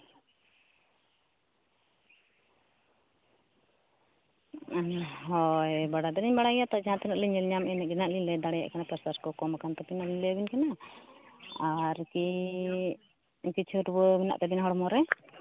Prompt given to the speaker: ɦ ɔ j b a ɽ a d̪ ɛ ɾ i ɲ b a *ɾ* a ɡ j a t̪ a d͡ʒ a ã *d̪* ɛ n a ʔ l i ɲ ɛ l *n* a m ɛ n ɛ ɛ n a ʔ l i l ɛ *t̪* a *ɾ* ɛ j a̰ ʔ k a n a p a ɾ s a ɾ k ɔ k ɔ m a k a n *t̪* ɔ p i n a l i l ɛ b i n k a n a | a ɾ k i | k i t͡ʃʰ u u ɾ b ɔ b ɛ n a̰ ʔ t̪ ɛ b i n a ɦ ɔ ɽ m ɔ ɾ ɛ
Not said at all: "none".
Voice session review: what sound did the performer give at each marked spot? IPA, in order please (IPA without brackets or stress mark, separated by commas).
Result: ɽ, t̪, ɲ, d̪, ɽ, t̪